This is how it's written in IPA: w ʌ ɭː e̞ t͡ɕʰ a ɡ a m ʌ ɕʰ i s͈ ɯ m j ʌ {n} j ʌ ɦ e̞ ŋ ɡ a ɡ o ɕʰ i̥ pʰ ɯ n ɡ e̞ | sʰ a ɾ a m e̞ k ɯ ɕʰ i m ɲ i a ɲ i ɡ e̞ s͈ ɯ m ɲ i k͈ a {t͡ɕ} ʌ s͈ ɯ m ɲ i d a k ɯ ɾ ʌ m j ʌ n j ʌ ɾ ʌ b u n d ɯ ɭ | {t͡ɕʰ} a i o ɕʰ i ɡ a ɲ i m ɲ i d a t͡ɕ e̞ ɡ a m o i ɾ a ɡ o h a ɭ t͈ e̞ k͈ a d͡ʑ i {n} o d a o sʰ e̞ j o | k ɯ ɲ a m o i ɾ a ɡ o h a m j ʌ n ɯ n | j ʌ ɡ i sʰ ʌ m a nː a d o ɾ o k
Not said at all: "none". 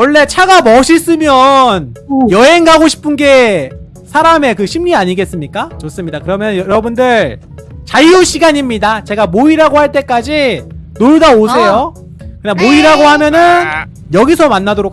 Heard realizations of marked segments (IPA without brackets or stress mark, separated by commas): n, t͡ɕ, t͡ɕ, n